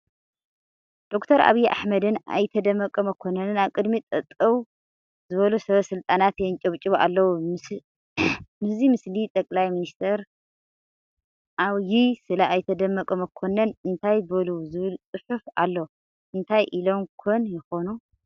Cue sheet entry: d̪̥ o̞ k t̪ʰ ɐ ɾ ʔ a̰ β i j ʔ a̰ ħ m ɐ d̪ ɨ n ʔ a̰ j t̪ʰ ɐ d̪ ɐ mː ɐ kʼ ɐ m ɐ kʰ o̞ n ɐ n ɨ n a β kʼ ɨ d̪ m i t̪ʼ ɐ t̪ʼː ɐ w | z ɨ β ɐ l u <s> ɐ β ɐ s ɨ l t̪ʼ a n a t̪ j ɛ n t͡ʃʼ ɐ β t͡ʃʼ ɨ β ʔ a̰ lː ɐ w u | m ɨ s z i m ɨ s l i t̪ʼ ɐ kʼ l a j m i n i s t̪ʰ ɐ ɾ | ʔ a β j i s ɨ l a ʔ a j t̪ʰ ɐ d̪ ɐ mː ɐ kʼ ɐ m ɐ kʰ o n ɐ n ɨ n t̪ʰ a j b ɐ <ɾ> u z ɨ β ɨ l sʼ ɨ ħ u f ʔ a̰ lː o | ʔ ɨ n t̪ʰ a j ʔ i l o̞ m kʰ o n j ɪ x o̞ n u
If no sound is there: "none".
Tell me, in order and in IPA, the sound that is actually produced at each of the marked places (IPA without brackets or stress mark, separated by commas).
s, l